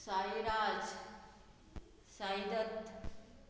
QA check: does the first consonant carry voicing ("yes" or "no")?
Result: no